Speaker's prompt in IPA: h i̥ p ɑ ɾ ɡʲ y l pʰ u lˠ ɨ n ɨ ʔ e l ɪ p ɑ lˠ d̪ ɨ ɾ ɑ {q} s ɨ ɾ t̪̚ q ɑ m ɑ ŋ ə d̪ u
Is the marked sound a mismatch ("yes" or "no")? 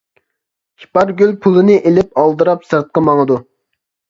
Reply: yes